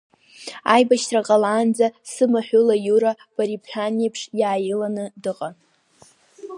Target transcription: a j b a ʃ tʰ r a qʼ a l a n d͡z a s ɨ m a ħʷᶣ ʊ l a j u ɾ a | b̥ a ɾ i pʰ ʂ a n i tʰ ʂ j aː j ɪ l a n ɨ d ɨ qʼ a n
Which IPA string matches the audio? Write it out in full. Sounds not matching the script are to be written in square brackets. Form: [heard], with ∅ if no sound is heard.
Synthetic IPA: a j b a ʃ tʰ r a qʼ a l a n d͡z a s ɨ m a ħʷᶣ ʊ l a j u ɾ a | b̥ a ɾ i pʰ [ħ] a n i [pʰ] ʂ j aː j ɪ l a n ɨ d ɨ qʼ a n